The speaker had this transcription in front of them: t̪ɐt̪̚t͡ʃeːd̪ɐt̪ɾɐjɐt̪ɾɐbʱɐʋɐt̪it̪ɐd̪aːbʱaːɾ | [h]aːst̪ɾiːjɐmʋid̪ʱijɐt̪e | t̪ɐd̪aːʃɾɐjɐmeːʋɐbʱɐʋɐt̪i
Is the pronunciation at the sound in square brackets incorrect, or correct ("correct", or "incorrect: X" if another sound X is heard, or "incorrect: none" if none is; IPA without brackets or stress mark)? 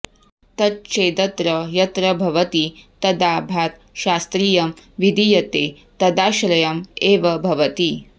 incorrect: ʃ